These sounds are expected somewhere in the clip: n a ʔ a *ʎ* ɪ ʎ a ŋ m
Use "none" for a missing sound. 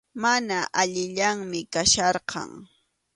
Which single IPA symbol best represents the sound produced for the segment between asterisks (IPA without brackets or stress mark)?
ʎ